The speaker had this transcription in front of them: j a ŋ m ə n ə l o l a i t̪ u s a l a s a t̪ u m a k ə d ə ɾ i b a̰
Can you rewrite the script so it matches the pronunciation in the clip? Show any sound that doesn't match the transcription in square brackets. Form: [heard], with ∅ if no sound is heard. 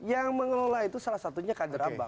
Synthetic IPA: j a ŋ m ə [ŋ] ə l o l a i t̪ u s a l a s a t̪ u [ɲ] a k [a] d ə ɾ [a] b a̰